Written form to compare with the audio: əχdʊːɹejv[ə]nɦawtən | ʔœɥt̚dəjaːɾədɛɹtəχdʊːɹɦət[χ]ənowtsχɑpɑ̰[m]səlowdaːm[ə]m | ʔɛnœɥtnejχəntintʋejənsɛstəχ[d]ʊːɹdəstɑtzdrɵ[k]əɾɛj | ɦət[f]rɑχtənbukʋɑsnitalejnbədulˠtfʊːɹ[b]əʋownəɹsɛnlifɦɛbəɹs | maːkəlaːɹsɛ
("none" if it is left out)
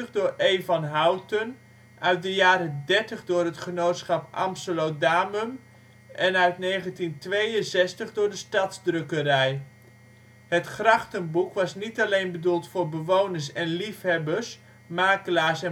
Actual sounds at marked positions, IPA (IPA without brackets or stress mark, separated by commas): ɑ, χ, m, ə, d, k, χ, b